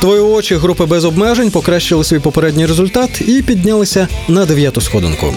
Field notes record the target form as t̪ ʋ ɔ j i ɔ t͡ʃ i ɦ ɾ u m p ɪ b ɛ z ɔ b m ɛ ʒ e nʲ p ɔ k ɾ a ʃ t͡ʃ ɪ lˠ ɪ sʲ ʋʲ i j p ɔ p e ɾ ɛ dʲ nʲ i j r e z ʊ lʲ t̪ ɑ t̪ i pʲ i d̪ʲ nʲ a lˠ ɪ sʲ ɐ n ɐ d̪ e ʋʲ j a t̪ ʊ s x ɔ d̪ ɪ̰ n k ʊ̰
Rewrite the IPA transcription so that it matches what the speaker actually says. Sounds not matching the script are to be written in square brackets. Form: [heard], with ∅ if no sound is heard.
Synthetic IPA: t̪ ʋ ɔ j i ɔ t͡ʃ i ɦ ɾ u [∅] p ɪ b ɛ z ɔ b m ɛ ʒ e nʲ p ɔ k ɾ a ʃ t͡ʃ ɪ lˠ ɪ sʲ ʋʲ i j p ɔ p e ɾ ɛ dʲ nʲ i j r e z ʊ lʲ t̪ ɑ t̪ i pʲ i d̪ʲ nʲ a lˠ ɪ sʲ ɐ n ɐ d̪ e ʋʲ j a t̪ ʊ s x ɔ d̪ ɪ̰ n k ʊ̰